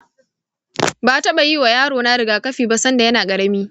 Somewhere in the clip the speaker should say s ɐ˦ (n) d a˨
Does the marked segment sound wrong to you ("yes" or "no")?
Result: no